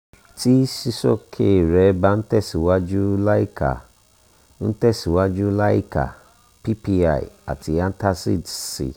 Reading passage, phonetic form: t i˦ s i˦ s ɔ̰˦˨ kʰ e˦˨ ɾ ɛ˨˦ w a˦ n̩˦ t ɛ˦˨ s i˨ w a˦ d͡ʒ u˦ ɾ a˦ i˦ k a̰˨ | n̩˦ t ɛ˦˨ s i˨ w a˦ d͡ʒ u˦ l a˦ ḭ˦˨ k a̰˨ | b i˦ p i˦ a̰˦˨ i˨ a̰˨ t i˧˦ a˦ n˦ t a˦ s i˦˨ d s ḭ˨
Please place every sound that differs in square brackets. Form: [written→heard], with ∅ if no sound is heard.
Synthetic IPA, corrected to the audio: t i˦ s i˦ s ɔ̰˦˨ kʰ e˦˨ ɾ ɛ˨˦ [w→b] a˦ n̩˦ t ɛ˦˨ s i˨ w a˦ d͡ʒ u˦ [ɾ→l] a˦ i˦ k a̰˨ | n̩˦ t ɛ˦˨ s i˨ w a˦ d͡ʒ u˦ l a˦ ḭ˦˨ k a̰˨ | [b→p] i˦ p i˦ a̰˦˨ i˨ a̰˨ t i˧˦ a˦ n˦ t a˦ s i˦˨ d s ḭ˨